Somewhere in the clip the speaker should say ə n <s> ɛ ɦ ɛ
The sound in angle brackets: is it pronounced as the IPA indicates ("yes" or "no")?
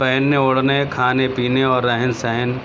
yes